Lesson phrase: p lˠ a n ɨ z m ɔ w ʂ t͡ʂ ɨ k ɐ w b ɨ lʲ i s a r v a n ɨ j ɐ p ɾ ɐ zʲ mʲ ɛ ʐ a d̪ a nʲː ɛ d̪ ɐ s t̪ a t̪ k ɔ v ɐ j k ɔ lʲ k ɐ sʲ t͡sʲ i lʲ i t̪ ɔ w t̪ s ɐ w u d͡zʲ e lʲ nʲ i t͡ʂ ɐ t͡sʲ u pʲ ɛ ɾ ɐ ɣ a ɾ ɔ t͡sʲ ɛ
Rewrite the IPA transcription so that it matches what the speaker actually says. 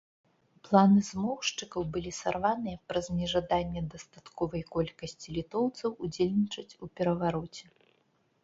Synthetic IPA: p lˠ a n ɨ z m ɔ w ʂ t͡ʂ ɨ k ɐ w b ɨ lʲ i s a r v a n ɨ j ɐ p ɾ ɐ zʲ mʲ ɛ ʐ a d̪ a nʲː ɛ d̪ ɐ s t̪ a t̪ k ɔ v ɐ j k ɔ lʲ k ɐ sʲ t͡sʲ i lʲ i t̪ ɔ w t̪ s ɐ w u d͡zʲ e lʲ nʲ i t͡ʂ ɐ t͡sʲ u pʲ ɛ ɾ ɐ v a ɾ ɔ t͡sʲ ɛ